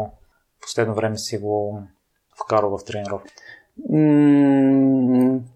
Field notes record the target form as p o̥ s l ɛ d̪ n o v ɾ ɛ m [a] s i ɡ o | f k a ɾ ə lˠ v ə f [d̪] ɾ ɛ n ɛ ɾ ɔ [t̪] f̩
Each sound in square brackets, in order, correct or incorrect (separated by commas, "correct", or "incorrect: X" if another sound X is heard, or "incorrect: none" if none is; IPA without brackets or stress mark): incorrect: ɛ, incorrect: t̪, incorrect: none